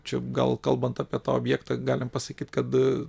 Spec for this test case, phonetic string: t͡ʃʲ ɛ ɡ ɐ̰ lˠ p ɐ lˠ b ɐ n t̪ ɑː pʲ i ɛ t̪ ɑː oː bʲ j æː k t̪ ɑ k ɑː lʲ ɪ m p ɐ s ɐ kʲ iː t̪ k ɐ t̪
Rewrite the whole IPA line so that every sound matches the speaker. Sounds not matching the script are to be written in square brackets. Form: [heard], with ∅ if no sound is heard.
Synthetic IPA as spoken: t͡ʃʲ ɛ ɡ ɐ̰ lˠ [k] ɐ lˠ b ɐ n t̪ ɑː pʲ i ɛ t̪ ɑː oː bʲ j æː k t̪ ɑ [ɡ] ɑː lʲ ɪ m p ɐ s ɐ kʲ iː t̪ k ɐ t̪

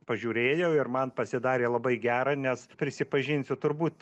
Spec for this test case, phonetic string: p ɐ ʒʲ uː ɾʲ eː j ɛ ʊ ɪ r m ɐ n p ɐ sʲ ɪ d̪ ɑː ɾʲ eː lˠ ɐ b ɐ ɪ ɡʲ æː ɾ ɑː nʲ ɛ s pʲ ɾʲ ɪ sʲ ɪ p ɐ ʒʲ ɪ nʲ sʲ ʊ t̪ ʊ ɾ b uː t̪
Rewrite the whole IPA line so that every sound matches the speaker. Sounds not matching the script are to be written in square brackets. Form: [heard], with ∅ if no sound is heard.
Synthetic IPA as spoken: p ɐ ʒʲ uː ɾʲ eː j ɛ ʊ ɪ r m ɐ n p ɐ sʲ ɪ d̪ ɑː ɾʲ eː lˠ ɐ b ɐ ɪ ɡʲ æː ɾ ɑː nʲ ɛ s pʲ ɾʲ ɪ sʲ ɪ p ɐ ʒʲ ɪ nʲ sʲ ʊ t̪ ʊ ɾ b uː t̪

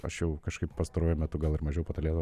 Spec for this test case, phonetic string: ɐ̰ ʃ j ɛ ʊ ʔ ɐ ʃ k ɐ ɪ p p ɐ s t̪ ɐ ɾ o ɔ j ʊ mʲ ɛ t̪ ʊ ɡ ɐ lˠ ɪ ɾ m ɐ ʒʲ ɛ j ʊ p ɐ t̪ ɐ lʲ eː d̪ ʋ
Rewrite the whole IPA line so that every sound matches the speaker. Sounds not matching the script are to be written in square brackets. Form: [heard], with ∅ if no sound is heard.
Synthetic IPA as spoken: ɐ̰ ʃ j ɛ ʊ [k] ɐ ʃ k ɐ ɪ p p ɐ s t̪ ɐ ɾ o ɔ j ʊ mʲ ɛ t̪ ʊ ɡ ɐ lˠ ɪ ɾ m ɐ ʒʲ ɛ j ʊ p ɐ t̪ ɐ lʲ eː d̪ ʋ

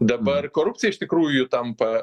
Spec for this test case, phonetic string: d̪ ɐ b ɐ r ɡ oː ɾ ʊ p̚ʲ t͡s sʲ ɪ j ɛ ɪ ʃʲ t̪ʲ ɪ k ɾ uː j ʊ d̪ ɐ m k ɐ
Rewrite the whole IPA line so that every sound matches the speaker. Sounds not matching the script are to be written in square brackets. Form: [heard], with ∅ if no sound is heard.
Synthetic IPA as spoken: d̪ ɐ b ɐ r [k] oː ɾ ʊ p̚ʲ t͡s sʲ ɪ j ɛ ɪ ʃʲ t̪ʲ ɪ k ɾ uː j ʊ [t̪] ɐ m [p] ɐ

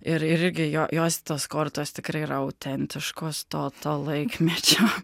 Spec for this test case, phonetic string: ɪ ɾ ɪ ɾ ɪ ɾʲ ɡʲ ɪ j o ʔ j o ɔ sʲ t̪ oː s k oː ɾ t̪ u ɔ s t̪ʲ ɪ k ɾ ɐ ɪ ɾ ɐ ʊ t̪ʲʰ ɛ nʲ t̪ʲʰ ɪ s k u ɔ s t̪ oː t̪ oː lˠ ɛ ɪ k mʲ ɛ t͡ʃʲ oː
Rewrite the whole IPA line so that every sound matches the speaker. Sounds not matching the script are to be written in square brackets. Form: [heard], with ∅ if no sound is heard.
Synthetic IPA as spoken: ɪ ɾ ɪ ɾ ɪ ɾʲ ɡʲ ɪ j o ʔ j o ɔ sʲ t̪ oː s k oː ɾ t̪ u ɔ s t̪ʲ ɪ k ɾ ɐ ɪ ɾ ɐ ʊ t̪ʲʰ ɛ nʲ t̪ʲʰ ɪ [ʃ] k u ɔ s t̪ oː t̪ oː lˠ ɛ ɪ k mʲ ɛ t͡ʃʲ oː

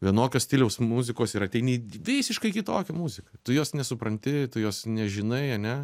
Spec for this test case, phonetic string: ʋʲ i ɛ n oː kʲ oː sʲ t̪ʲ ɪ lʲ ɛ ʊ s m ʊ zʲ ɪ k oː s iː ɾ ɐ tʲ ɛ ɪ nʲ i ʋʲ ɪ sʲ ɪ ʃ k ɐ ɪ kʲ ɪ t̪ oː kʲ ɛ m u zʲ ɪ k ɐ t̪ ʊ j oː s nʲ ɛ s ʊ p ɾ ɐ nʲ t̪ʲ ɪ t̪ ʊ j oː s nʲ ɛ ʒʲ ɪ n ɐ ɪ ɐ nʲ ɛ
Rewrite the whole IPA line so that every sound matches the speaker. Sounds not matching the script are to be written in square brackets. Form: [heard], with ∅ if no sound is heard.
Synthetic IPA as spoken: ʋʲ i ɛ n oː kʲ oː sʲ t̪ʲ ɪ lʲ ɛ ʊ s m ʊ zʲ ɪ k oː s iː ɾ ɐ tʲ ɛ ɪ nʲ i ʋʲ ɪ sʲ ɪ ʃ k ɐ ɪ kʲ ɪ t̪ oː kʲ ɛ m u zʲ ɪ k ɐ t̪ ʊ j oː s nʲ ɛ s ʊ p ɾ ɐ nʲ t̪ʲ ɪ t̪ ʊ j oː s nʲ ɛ ʒʲ ɪ n ɐ ɪ ɐ nʲ ɛ

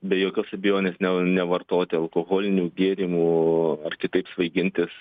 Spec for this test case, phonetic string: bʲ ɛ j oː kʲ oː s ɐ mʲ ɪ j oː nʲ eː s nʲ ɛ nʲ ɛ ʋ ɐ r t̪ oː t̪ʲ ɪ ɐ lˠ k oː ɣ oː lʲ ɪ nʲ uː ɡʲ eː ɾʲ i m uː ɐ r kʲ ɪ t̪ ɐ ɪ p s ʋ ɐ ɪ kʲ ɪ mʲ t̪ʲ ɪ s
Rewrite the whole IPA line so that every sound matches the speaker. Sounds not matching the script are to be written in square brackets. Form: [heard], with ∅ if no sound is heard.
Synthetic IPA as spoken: bʲ ɛ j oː kʲ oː s ɐ [bʲ] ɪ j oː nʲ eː s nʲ ɛ nʲ ɛ ʋ ɐ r t̪ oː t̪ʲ ɪ ɐ lˠ k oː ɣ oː lʲ ɪ nʲ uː ɡʲ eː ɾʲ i m uː ɐ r kʲ ɪ t̪ ɐ ɪ p s ʋ ɐ ɪ [ɡʲ] ɪ [nʲ] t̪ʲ ɪ s

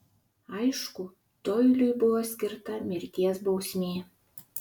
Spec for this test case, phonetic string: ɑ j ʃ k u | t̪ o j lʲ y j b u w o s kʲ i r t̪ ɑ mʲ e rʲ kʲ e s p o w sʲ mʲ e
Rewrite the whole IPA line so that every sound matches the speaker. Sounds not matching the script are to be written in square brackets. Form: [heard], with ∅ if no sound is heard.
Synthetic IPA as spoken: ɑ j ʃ k u | t̪ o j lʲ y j b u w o s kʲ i r t̪ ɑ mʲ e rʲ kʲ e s [b] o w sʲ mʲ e

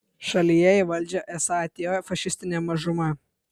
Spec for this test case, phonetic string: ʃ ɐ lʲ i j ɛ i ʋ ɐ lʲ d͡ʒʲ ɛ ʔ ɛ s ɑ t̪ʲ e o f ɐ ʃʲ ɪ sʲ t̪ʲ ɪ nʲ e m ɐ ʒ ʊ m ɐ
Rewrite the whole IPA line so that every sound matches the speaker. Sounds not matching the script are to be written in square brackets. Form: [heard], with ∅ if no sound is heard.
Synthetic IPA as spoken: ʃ ɐ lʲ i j ɛ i ʋ ɐ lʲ d͡ʒʲ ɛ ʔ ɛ s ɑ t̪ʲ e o f ɐ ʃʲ ɪ sʲ t̪ʲ ɪ nʲ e m ɐ ʒ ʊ m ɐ

